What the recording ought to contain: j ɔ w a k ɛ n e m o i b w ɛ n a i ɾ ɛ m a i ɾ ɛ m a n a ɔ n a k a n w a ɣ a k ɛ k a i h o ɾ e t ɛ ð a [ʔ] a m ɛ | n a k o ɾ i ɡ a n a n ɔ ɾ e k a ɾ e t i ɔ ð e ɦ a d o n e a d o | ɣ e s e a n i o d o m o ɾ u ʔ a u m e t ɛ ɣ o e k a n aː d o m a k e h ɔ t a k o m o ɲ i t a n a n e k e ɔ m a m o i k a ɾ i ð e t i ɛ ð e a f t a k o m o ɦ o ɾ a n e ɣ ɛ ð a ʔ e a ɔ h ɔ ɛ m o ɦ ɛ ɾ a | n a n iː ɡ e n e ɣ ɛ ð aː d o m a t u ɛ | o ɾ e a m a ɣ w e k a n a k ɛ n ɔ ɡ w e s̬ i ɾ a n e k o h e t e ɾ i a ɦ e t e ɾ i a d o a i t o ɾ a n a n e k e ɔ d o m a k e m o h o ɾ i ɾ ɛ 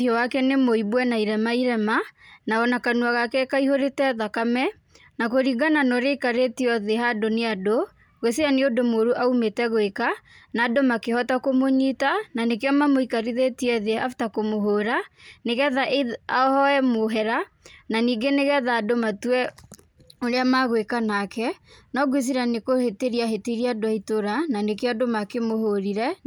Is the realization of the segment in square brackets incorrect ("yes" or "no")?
yes